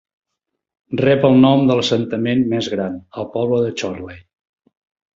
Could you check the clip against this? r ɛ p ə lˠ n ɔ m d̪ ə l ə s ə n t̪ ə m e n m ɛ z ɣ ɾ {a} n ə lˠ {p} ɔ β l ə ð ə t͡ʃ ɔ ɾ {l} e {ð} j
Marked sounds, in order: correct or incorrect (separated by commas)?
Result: correct, correct, correct, incorrect